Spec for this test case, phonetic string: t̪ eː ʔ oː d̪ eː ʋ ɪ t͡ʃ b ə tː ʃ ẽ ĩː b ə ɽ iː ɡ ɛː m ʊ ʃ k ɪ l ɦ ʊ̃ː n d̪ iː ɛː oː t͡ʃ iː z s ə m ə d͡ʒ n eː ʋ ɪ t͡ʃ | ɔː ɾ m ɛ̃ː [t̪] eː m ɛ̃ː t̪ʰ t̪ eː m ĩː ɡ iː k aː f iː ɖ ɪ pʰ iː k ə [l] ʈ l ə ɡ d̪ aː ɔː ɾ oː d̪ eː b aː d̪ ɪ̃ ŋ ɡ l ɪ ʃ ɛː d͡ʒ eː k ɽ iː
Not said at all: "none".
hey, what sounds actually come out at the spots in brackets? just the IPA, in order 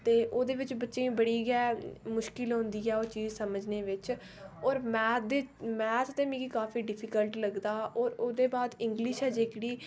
d̪, l

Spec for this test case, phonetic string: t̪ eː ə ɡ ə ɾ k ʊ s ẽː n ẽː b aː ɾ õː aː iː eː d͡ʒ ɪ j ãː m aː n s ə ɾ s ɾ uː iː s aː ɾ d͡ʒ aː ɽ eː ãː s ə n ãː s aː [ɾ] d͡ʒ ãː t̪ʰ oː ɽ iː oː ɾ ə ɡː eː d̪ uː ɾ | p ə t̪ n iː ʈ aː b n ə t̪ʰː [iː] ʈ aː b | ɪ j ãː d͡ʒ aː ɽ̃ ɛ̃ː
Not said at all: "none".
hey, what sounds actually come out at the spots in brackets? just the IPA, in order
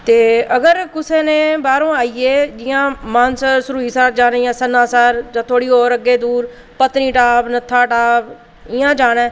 ɾ, aː

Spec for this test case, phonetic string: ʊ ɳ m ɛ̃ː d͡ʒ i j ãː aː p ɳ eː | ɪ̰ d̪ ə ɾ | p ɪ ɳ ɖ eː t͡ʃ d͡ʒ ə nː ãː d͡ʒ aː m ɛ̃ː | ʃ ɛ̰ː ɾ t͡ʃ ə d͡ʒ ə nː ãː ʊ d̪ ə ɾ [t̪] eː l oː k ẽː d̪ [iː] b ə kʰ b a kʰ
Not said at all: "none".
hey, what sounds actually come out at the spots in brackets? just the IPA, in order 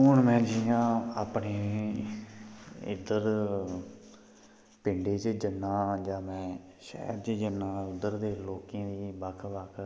d̪, iː

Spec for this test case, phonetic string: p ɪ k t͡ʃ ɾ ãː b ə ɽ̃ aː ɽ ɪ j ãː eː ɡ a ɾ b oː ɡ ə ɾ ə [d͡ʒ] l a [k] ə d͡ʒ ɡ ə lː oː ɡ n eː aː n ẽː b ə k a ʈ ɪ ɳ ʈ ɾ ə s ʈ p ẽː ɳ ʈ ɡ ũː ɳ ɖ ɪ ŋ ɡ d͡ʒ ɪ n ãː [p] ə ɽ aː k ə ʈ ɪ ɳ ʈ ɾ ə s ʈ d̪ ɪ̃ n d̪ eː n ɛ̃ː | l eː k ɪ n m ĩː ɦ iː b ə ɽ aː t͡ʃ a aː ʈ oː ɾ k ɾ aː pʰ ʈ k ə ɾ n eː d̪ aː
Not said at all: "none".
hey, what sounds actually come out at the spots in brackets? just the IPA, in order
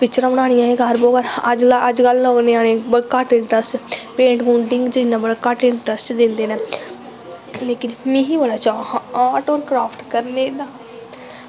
d͡ʒ, none, b

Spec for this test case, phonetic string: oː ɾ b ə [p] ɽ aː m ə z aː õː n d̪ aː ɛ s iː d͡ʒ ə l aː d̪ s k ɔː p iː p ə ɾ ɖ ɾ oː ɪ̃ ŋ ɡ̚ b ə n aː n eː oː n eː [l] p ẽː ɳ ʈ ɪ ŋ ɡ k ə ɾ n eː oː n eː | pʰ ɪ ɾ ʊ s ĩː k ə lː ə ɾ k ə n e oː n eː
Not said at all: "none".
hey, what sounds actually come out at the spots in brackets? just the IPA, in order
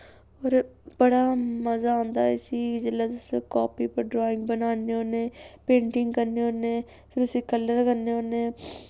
none, none

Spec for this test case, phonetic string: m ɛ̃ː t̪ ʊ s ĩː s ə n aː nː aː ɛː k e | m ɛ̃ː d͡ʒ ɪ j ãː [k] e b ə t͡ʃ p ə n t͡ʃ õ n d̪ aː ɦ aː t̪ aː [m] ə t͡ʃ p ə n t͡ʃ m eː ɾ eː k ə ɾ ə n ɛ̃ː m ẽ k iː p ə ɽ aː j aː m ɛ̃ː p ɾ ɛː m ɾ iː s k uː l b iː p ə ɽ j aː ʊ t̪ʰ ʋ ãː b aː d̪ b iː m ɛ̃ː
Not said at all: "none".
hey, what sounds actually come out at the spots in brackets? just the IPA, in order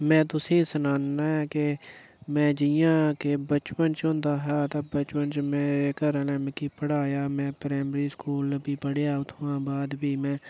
k, b

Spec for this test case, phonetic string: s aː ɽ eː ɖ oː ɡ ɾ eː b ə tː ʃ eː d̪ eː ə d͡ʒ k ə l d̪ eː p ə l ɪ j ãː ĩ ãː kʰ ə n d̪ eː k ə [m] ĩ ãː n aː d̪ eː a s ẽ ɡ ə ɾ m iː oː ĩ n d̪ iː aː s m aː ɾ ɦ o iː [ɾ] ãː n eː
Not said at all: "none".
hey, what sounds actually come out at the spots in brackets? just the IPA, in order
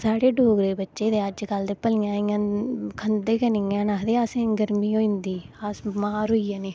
n, none

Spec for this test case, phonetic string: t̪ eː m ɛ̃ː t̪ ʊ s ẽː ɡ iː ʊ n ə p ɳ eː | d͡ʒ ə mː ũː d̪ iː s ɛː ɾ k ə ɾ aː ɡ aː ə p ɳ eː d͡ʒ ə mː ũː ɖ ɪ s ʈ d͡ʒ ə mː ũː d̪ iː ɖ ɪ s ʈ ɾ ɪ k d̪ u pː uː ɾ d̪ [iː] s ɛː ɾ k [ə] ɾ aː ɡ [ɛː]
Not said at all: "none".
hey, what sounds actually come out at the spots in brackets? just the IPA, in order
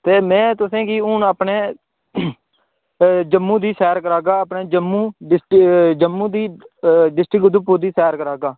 iː, ə, aː

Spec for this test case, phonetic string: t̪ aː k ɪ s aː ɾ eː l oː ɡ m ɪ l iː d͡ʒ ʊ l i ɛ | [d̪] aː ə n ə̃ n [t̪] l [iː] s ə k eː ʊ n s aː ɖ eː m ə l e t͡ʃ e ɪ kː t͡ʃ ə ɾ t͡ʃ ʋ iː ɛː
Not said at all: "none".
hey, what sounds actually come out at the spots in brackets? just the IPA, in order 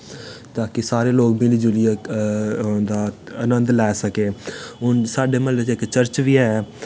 d̪, d̪, ɛː

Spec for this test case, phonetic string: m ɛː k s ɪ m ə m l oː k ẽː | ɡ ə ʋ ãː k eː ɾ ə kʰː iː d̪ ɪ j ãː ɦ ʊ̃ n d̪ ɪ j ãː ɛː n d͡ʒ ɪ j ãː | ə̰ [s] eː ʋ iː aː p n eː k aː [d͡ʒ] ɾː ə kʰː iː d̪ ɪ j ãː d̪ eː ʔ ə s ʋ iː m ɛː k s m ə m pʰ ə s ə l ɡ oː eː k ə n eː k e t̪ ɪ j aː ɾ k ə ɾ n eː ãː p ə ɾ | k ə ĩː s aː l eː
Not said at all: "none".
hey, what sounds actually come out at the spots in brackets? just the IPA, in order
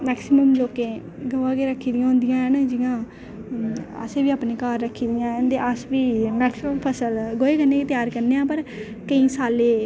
s, none

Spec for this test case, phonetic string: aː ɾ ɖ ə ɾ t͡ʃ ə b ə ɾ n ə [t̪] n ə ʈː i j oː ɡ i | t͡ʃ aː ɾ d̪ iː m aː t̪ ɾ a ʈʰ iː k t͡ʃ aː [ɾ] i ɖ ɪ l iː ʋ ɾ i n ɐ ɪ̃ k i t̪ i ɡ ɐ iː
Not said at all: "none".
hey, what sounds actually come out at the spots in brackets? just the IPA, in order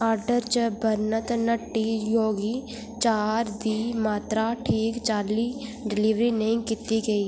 t̪, l

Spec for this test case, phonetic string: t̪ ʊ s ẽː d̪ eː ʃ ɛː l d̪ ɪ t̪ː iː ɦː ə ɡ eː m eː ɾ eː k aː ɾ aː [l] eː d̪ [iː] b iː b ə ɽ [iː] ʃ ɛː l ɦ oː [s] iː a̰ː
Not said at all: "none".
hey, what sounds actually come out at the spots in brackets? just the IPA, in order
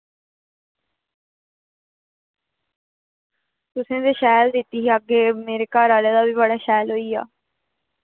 l, aː, aː, none

